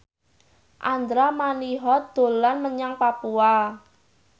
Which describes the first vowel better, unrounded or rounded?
unrounded